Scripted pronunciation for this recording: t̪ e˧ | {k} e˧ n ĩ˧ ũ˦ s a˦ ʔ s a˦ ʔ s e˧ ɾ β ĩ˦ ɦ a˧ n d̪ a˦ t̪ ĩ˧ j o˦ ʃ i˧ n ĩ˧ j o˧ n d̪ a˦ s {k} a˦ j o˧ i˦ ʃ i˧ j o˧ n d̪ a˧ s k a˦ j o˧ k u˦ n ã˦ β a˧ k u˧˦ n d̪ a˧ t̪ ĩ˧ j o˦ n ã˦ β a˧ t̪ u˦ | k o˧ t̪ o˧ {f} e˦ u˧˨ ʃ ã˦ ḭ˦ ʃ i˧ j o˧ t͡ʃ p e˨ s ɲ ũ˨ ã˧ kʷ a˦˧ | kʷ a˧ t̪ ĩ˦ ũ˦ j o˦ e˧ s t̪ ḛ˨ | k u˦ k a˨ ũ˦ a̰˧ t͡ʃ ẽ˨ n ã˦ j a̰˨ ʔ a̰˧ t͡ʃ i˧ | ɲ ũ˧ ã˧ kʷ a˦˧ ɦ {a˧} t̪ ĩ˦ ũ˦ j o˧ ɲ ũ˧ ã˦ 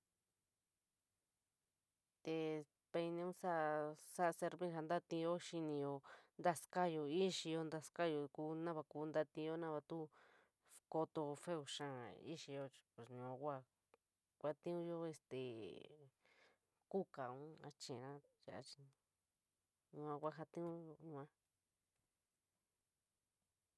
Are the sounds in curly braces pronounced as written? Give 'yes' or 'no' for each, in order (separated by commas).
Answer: no, yes, yes, yes